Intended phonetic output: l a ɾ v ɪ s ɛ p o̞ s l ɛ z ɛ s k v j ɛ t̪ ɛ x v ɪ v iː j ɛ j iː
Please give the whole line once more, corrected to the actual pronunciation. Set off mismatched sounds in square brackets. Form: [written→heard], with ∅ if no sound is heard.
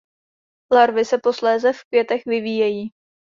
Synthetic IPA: l a ɾ v ɪ s ɛ p o̞ s l [ɛ→ɛː] z ɛ [s→f] k v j ɛ t̪ ɛ x v ɪ v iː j ɛ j iː